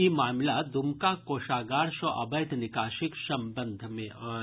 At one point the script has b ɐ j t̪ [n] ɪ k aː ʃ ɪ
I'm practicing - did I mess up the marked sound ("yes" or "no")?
no